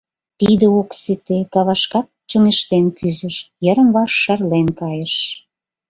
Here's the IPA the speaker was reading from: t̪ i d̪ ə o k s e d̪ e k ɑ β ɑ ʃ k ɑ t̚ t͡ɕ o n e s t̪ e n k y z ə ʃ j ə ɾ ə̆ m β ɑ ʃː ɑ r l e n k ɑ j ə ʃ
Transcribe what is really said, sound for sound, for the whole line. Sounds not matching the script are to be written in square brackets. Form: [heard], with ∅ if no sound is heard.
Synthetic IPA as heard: t̪ i d̪ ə o k s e [t̪] e k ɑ β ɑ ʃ k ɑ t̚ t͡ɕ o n e [ʃ] t̪ e n k y z ə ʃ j ə ɾ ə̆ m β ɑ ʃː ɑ r l e n k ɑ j ə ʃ